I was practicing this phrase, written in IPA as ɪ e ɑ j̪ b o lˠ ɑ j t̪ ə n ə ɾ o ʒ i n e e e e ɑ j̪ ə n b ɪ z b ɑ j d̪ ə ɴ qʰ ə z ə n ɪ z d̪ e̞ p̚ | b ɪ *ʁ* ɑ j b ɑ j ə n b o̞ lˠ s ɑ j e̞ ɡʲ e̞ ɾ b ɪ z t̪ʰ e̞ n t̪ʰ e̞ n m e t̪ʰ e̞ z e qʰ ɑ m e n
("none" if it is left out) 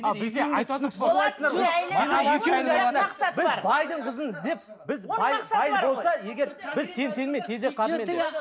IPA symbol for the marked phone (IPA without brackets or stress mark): z